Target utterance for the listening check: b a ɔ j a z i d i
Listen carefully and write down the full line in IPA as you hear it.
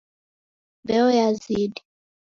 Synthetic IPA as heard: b ɛ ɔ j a z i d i